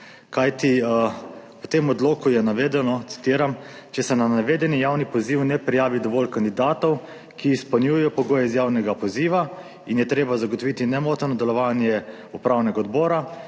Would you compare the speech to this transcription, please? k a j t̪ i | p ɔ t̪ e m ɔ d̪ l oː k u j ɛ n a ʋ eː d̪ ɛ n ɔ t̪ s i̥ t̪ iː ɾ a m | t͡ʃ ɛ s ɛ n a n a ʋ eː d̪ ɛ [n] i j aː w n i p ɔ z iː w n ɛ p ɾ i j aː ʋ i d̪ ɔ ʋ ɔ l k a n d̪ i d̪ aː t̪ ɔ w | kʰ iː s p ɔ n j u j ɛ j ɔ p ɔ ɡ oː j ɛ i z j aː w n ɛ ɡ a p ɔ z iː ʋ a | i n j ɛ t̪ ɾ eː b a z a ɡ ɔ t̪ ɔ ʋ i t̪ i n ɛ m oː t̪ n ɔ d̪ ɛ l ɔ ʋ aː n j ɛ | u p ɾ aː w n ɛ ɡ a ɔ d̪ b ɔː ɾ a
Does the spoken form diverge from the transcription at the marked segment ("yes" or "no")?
no